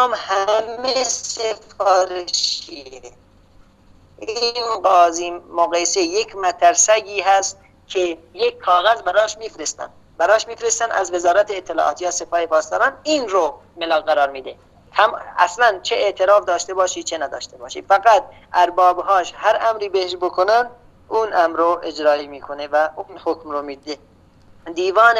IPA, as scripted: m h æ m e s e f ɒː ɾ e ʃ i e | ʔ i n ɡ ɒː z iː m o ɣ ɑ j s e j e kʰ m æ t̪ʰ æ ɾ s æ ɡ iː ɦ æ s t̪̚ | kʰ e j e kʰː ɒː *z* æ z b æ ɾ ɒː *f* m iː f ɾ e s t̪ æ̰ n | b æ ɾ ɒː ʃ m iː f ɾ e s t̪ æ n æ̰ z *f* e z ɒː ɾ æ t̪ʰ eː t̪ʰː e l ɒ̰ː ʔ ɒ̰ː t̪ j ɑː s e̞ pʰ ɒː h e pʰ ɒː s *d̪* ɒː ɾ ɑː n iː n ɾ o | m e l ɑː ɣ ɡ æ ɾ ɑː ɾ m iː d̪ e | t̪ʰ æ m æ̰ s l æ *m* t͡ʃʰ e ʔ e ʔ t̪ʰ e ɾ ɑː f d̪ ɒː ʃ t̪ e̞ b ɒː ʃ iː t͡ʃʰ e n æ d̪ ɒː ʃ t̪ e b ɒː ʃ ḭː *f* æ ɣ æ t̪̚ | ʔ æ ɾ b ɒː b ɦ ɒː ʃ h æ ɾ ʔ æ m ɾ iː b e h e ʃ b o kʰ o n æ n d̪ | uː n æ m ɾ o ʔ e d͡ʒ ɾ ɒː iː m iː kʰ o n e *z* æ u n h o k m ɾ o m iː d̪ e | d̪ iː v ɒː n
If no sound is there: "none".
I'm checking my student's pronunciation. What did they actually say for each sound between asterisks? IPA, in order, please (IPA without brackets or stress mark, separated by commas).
ɣ, ʃ, v, t̪, n, f, v